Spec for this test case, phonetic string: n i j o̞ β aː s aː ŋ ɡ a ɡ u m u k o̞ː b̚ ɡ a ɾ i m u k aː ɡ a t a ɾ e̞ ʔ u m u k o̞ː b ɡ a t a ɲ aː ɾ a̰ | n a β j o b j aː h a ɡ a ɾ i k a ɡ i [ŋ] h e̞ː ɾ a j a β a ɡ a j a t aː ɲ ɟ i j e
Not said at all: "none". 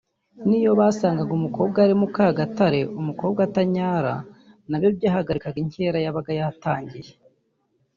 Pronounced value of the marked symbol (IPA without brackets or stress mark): ɲ